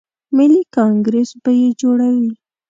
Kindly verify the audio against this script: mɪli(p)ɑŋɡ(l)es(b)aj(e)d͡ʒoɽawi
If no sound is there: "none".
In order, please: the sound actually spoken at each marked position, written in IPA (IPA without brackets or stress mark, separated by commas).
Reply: k, ɾ, b, e